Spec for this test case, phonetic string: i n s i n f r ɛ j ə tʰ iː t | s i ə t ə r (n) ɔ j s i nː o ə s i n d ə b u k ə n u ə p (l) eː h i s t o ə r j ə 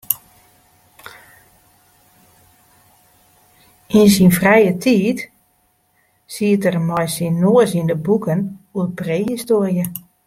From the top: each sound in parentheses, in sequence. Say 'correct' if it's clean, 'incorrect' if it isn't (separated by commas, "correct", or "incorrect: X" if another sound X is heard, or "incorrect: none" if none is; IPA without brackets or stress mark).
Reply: incorrect: m, incorrect: r